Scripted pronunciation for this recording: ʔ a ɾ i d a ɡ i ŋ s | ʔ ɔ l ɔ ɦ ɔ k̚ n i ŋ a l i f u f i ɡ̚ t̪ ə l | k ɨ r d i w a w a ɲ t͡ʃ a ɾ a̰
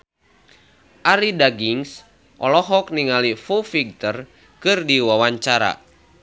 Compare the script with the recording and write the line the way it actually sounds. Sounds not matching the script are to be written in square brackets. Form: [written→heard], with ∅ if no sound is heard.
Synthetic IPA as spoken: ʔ a ɾ i d a ɡ i ŋ s | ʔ ɔ l ɔ ɦ ɔ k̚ n i ŋ a l i f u f i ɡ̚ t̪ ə [l→r] | k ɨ r d i w a w a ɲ t͡ʃ a ɾ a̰

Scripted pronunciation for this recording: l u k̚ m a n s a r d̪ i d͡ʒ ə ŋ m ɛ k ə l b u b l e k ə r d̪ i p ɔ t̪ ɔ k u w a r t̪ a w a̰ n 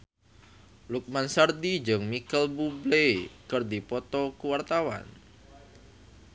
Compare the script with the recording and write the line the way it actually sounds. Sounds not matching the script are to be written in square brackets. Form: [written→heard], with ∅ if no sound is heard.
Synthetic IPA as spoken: l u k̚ m a n s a r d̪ i d͡ʒ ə ŋ m [ɛ→i] k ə l b u b l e k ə r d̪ i p ɔ t̪ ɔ k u w a r t̪ a w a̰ n

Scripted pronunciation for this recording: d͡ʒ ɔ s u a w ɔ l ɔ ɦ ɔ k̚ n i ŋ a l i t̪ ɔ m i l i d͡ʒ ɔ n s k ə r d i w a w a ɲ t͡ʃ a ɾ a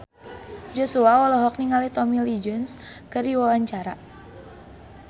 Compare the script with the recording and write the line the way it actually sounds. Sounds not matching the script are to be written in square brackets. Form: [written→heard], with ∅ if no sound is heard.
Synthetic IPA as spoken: d͡ʒ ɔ s u a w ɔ l ɔ ɦ ɔ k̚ n i ŋ a l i t̪ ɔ m i l i d͡ʒ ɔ n s k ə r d i w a w a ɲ t͡ʃ a ɾ a

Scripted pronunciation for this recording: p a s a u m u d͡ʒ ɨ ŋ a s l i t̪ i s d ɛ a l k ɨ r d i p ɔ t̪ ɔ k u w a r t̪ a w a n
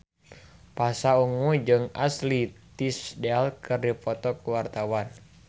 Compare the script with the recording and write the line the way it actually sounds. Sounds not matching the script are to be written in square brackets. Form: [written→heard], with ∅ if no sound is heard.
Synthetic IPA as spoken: p a s a u [m→ŋ] u d͡ʒ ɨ ŋ a s l i t̪ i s d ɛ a l k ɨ r d i p ɔ t̪ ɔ k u w a r t̪ a w a n

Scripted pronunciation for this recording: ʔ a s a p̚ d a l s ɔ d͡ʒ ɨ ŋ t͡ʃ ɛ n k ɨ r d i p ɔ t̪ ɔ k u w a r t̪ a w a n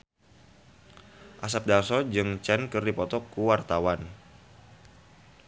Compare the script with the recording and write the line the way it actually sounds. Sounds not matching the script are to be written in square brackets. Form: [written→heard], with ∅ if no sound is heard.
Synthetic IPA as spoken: ʔ a s a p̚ d a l s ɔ d͡ʒ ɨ ŋ t͡ʃ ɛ n k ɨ r d i p ɔ t̪ ɔ k u w a r t̪ a w a n

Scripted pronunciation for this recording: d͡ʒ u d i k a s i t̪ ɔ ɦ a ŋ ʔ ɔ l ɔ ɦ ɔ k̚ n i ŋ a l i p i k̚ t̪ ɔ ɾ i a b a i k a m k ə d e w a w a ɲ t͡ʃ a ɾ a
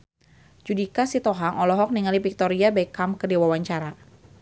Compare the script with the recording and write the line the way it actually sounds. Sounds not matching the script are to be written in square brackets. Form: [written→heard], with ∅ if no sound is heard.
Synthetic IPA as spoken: d͡ʒ u d i k a s i t̪ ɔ ɦ a ŋ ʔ ɔ l ɔ ɦ ɔ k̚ n i ŋ a l i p i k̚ t̪ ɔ ɾ i a b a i k a m k ə d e w a w a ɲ t͡ʃ a ɾ a

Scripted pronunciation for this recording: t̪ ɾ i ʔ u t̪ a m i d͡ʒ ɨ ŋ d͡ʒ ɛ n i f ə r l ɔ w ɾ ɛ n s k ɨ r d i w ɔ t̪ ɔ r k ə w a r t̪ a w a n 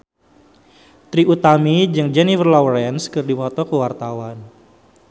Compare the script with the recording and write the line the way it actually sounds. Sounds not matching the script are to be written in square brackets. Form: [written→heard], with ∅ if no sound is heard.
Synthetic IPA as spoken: t̪ ɾ i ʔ u t̪ a m i d͡ʒ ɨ ŋ d͡ʒ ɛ n i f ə r l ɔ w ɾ ɛ n s k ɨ r d i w ɔ t̪ ɔ [r→∅] k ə w a r t̪ a w a n

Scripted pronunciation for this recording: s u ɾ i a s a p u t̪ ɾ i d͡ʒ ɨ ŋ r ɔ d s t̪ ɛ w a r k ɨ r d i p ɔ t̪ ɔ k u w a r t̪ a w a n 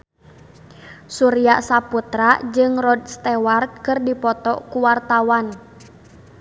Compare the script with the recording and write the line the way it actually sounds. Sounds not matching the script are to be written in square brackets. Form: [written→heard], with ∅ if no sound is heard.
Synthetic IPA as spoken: s u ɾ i a s a p u t̪ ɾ [i→a] d͡ʒ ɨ ŋ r ɔ d s t̪ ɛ w a r k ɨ r d i p ɔ t̪ ɔ k u w a r t̪ a w a n

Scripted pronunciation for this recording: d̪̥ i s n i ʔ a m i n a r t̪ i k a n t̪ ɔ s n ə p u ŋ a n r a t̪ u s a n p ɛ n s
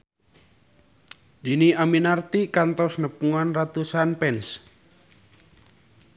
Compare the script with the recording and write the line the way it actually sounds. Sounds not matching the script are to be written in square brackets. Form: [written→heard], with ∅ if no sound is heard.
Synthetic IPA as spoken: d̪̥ i [s→∅] n i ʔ a m i n a r t̪ i k a n t̪ ɔ s n ə p u ŋ a n r a t̪ u s a n p ɛ n s

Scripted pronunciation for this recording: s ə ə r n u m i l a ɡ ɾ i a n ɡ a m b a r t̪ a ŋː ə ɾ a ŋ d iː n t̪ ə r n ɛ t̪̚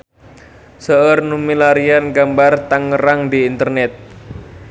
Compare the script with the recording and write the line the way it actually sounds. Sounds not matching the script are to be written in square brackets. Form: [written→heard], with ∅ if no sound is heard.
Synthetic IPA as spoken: s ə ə r n u m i l a [ɡ→∅] ɾ i a n ɡ a m b a r t̪ a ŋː ə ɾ a ŋ d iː n t̪ ə r n ɛ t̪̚

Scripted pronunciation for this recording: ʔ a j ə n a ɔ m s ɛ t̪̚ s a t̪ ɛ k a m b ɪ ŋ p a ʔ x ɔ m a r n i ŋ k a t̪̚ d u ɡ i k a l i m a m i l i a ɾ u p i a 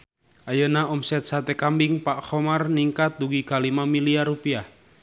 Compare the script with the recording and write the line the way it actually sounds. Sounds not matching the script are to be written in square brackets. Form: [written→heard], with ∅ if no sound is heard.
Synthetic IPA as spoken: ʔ a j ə n a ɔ m s ɛ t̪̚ s a t̪ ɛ k a m b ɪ ŋ p a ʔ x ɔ m a r n i ŋ k a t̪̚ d u ɡ i k a l i m a m i l i a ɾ u p i a

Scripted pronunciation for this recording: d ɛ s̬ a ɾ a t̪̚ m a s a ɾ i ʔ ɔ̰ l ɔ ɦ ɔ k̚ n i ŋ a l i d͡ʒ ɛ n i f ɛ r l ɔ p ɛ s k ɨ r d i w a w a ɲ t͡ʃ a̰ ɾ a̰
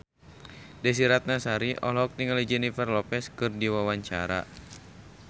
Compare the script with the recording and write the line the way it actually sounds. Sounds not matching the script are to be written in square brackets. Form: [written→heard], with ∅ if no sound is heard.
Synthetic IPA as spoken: d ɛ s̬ [a→i] ɾ a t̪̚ [m→n] a s a ɾ i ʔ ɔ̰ l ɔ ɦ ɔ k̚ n i ŋ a l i d͡ʒ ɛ n i f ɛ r l ɔ p ɛ s k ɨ r d i w a w a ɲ t͡ʃ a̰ ɾ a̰

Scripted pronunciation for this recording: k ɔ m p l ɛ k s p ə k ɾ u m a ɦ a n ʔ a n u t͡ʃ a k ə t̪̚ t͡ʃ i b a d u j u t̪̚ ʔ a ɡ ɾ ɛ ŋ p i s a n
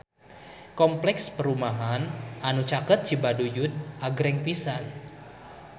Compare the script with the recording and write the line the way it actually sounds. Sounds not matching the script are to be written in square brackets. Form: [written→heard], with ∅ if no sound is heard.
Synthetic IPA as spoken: k ɔ m p l ɛ k s p ə [k→∅] ɾ u m a ɦ a n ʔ a n u t͡ʃ a k ə t̪̚ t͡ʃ i b a d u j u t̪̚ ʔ a ɡ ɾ ɛ ŋ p i s a n

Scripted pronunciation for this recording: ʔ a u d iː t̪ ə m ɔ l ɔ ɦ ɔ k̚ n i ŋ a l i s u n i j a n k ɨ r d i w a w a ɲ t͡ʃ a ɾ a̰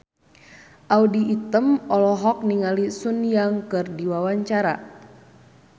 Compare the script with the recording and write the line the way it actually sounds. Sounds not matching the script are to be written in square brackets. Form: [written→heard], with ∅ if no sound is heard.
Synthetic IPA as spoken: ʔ a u d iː t̪ ə m ɔ l ɔ ɦ ɔ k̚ n i ŋ a l i s u n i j a [n→ŋ] k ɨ r d i w a w a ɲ t͡ʃ a ɾ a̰

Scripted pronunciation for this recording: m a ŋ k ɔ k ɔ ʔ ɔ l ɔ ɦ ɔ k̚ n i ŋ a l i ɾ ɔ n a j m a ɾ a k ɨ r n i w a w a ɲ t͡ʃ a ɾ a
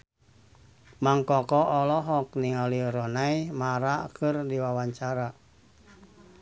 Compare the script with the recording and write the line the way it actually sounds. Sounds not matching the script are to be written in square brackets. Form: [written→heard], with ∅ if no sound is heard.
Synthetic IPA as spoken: m a ŋ k ɔ k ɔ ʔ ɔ l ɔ ɦ ɔ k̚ n i ŋ a l i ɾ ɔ n a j m a ɾ a k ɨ r [n→d] i w a w a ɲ t͡ʃ a ɾ a

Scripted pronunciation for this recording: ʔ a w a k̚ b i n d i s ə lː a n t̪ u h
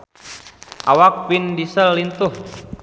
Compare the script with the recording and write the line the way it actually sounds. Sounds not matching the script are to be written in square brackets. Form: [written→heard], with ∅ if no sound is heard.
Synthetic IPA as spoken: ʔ a w a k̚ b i n d i s ə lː [a→i] n t̪ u h

